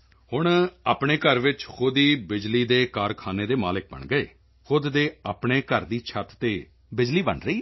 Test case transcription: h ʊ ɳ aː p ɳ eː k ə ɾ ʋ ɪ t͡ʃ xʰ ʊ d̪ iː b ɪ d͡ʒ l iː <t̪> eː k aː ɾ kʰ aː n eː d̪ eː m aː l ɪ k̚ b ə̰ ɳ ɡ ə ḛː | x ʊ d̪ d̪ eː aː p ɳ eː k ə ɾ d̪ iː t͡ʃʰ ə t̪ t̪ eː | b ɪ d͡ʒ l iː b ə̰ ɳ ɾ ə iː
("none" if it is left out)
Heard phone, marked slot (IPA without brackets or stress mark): d̪